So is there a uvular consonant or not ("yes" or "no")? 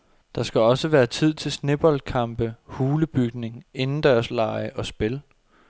no